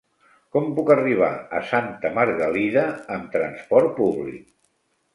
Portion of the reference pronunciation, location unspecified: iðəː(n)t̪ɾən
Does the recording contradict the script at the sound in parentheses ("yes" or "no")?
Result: yes